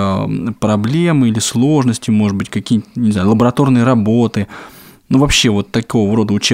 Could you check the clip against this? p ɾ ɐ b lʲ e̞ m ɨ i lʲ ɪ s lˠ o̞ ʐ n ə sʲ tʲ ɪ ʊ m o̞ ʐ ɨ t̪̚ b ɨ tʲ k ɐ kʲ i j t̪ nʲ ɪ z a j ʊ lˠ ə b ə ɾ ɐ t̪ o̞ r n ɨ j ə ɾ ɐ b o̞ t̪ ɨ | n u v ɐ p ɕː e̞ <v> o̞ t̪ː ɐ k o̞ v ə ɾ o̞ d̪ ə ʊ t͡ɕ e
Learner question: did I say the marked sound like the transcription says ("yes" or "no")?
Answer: yes